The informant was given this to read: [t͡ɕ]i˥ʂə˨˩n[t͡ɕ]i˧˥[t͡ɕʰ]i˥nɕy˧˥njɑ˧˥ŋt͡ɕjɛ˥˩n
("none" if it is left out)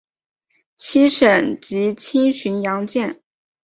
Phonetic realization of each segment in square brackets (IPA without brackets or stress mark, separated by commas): t͡ɕʰ, t͡ɕ, t͡ɕʰ